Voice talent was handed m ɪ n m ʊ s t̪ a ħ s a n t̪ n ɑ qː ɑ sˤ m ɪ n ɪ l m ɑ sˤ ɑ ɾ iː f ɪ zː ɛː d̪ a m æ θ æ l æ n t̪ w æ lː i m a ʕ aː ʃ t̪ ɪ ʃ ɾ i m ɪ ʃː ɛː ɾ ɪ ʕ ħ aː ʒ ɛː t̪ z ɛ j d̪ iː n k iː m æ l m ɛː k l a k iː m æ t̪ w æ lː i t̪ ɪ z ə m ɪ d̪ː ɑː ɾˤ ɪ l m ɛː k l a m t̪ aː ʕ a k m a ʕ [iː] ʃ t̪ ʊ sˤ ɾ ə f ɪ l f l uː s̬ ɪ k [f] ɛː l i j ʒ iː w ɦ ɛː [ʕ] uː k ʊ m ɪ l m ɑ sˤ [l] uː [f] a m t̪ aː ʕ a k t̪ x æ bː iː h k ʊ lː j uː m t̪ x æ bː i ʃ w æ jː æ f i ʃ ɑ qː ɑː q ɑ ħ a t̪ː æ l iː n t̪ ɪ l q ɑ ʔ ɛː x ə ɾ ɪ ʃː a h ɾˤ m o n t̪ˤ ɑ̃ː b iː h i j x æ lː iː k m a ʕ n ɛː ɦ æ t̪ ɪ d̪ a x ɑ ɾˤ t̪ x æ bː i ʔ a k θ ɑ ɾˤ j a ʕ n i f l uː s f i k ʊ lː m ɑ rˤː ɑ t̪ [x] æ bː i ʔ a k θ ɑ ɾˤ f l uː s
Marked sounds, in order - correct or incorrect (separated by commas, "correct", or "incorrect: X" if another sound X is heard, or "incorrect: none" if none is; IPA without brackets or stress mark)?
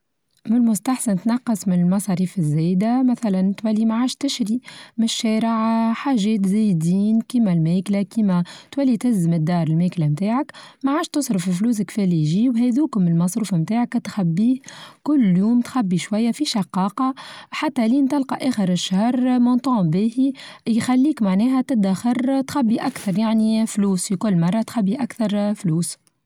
incorrect: aː, correct, incorrect: ð, incorrect: ɾ, correct, correct